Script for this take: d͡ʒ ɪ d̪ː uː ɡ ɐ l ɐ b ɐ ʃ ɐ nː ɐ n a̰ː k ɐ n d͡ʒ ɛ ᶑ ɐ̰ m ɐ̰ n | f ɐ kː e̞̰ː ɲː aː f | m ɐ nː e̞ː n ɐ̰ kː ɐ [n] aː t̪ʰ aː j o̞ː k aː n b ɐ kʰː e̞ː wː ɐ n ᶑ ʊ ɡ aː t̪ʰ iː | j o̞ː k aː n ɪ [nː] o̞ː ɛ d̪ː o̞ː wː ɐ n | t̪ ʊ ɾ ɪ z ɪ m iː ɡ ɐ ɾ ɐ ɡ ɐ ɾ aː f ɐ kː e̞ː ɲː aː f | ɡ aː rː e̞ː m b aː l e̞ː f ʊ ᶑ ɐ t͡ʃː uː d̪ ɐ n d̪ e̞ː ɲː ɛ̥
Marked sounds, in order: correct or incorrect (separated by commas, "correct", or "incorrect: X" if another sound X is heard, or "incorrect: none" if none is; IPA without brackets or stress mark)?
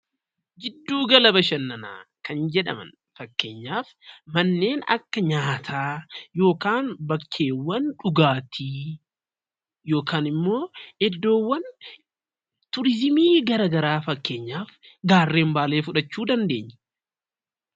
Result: incorrect: ɲ, incorrect: mː